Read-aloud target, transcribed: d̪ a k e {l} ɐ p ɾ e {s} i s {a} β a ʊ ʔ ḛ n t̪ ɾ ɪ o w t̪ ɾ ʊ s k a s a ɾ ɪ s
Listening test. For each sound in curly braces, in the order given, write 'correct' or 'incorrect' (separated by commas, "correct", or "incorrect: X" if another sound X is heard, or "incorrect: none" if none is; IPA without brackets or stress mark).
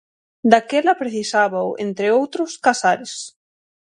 correct, incorrect: θ, correct